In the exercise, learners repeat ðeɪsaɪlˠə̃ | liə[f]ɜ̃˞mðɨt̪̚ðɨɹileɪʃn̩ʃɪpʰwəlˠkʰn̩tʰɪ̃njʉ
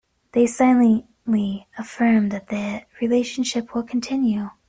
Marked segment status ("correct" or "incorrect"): correct